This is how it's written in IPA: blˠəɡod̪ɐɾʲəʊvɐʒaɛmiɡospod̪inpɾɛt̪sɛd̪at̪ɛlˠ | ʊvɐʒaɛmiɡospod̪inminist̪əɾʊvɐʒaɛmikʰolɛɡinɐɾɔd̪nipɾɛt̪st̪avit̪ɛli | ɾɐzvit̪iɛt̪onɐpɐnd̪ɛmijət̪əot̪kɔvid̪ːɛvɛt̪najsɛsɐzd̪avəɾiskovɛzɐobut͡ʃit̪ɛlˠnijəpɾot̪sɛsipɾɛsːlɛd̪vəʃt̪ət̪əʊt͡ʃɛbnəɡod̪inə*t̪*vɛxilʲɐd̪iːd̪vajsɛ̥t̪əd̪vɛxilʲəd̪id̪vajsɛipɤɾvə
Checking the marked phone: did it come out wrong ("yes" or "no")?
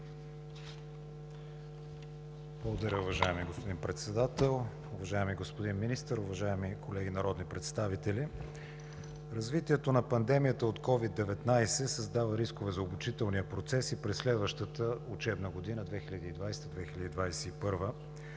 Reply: yes